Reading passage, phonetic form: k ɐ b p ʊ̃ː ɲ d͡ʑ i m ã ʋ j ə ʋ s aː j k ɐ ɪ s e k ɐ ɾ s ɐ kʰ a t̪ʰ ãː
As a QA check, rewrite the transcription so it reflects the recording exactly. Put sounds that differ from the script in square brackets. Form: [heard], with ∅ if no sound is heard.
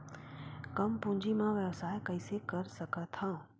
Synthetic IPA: k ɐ [m] p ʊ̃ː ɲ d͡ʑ i m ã ʋ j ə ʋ s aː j k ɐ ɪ s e k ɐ ɾ s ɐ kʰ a t̪ʰ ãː